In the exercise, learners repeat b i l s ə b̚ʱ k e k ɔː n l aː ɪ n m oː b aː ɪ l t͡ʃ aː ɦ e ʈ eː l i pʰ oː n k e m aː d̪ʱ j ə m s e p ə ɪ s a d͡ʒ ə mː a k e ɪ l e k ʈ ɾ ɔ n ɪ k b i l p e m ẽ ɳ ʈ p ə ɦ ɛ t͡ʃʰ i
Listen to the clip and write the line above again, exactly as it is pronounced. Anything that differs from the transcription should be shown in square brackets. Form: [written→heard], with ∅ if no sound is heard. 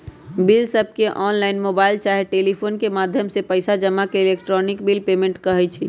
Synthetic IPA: b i l s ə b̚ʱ k e [k→ʔ] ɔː n l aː ɪ n m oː b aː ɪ l t͡ʃ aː ɦ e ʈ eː l i pʰ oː n k e m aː d̪ʱ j ə m s e p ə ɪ s a d͡ʒ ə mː a k e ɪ l e k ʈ ɾ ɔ n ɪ k b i l p e m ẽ ɳ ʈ [p→k] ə ɦ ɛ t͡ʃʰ i